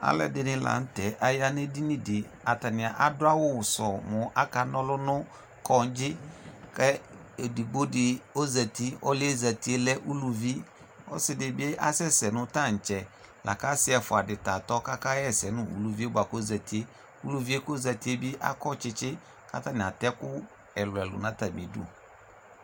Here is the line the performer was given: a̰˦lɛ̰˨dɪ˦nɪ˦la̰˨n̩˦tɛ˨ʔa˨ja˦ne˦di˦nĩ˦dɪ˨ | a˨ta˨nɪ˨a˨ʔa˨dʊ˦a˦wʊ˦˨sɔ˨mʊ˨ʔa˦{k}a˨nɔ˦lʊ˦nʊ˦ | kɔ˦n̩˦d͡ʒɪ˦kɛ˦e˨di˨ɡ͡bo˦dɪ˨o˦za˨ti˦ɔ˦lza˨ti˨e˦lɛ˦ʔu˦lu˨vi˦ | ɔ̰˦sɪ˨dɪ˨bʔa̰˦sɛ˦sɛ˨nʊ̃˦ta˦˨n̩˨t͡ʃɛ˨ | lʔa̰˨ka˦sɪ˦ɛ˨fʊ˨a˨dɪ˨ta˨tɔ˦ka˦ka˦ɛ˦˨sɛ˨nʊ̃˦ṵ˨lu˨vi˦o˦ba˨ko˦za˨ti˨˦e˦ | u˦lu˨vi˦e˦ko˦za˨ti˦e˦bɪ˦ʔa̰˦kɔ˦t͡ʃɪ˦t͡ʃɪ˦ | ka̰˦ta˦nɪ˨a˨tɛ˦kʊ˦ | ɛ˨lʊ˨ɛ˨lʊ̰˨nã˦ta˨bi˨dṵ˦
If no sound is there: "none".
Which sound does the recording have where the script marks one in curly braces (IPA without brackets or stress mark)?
k